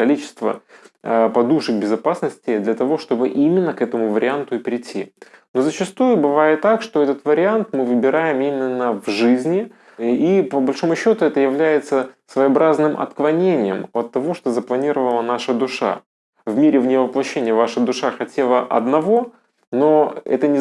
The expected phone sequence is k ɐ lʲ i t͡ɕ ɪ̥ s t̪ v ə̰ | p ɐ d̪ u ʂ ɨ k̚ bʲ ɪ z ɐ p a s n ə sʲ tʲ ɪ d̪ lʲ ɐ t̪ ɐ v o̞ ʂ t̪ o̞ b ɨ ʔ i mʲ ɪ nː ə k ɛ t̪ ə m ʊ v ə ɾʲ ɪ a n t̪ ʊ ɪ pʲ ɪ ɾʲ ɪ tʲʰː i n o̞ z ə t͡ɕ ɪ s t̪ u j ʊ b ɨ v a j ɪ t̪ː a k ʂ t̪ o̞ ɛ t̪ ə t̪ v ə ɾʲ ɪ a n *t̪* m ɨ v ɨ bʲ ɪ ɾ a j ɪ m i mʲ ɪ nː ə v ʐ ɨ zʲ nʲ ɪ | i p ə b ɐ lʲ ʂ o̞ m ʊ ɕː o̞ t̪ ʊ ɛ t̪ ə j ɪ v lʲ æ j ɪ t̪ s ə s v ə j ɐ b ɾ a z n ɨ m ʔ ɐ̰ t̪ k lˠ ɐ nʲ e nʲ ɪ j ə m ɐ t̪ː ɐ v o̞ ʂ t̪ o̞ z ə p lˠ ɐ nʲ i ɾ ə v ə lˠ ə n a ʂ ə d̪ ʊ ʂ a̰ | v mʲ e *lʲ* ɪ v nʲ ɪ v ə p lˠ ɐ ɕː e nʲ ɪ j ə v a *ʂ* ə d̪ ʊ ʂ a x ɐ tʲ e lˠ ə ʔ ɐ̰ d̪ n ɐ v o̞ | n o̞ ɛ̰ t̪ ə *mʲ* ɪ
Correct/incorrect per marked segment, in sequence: correct, incorrect, correct, incorrect

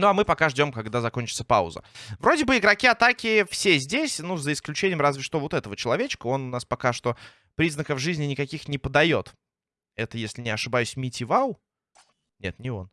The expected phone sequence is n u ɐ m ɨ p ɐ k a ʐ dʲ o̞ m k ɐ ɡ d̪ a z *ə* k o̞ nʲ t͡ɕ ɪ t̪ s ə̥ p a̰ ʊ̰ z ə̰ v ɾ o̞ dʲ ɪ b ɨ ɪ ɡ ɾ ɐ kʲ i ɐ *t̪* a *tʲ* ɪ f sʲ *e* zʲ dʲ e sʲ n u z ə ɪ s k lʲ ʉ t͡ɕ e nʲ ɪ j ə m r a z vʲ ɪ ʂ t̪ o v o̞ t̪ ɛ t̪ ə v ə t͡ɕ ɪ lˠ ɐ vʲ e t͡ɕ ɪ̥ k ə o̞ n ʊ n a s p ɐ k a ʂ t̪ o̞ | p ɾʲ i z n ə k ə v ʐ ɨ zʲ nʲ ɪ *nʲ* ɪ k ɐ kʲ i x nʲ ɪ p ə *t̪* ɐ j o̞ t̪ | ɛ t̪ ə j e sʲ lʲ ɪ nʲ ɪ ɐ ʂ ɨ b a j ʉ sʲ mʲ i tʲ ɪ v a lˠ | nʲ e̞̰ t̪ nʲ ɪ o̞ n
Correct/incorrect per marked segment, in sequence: incorrect, correct, incorrect, correct, correct, incorrect

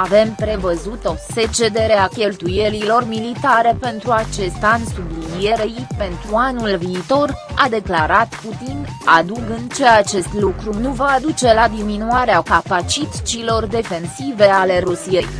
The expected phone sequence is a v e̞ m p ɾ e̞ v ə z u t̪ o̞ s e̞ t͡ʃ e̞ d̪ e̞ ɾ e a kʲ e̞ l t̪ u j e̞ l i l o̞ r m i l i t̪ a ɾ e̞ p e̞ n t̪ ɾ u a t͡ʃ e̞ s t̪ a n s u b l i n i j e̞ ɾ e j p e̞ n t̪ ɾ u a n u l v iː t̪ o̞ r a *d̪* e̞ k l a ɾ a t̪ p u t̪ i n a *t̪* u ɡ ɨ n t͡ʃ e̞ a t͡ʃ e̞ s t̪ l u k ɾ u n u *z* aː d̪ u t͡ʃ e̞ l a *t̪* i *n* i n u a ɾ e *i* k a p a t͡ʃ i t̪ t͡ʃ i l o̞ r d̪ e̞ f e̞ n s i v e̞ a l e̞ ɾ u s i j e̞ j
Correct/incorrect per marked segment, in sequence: correct, incorrect, incorrect, incorrect, incorrect, incorrect

